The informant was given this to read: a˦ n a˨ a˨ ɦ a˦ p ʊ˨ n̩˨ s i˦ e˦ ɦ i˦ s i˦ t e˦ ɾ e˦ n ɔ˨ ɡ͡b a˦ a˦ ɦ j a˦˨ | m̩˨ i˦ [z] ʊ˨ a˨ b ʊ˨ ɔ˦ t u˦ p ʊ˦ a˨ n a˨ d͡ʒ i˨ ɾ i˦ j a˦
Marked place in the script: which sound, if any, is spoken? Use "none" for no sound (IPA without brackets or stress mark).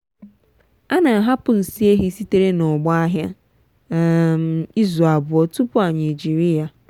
z